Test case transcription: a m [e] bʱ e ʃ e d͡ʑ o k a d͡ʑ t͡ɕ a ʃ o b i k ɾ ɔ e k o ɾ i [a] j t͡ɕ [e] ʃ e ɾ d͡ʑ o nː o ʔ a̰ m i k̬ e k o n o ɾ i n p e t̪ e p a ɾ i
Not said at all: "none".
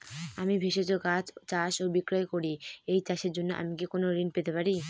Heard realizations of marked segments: i, e, a

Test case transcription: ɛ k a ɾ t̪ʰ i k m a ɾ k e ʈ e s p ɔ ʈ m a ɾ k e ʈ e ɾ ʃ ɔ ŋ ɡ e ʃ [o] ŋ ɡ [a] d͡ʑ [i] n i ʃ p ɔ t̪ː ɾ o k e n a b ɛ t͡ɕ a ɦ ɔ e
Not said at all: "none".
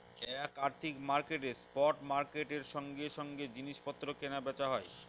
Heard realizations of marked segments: ɔ, e, i

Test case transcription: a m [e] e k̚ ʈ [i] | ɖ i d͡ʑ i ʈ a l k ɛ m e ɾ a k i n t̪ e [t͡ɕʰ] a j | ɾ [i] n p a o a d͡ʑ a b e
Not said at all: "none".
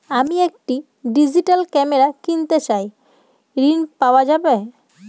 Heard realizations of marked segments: i, i, t͡ɕ, i

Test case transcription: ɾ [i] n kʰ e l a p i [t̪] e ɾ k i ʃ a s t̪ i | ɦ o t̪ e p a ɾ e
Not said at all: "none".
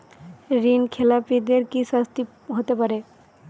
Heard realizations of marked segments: i, d̪

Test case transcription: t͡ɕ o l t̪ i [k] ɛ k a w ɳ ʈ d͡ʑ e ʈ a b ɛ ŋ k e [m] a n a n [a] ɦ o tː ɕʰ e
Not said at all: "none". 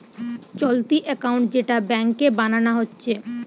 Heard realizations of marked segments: ʔ, b, a

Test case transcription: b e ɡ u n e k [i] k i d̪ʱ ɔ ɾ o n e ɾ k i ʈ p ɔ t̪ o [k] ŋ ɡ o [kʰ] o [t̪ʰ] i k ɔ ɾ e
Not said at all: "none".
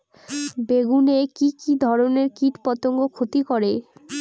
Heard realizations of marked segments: i, none, kʰ, t̪

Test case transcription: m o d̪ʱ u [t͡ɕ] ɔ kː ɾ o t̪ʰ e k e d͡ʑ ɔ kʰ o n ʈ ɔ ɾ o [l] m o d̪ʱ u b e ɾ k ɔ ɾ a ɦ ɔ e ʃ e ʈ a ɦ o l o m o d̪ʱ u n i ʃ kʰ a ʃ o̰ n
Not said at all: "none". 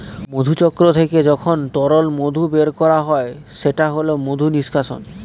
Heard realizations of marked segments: t͡ɕ, l

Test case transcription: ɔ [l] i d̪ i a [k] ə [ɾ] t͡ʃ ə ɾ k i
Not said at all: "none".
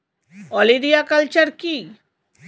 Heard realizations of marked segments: l, k, l

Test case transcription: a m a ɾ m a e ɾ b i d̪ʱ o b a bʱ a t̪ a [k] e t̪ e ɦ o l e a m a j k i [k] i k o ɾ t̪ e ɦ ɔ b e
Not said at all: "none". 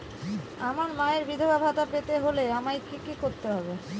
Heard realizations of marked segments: p, k

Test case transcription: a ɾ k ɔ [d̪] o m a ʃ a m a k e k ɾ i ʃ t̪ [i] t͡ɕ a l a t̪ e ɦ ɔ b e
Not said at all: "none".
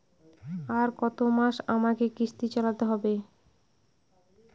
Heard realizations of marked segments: t̪, i

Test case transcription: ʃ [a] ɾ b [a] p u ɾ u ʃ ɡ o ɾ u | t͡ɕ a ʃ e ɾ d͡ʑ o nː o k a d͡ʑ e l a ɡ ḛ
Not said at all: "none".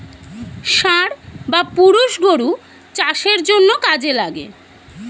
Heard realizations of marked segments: a, a

